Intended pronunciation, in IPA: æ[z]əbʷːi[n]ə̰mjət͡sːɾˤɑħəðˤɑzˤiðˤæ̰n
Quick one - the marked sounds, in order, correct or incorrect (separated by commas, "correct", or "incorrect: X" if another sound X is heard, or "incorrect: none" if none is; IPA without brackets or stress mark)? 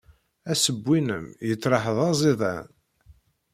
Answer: incorrect: s, correct